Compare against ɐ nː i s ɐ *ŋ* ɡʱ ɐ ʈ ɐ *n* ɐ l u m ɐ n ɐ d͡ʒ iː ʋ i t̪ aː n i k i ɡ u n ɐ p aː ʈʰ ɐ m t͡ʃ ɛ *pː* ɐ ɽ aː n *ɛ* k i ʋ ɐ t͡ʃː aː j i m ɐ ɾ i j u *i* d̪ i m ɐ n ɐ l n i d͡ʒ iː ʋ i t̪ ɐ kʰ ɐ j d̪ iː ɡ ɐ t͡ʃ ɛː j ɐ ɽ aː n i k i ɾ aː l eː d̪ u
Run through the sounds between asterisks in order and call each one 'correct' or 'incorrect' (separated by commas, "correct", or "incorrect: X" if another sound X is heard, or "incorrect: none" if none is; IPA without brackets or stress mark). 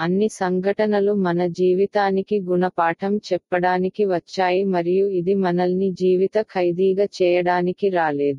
correct, correct, correct, incorrect: i, correct